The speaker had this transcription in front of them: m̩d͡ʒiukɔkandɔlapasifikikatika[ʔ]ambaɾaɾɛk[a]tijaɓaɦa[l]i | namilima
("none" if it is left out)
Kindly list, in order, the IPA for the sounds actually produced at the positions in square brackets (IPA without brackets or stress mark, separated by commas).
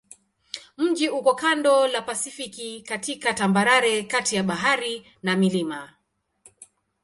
t, a, ɾ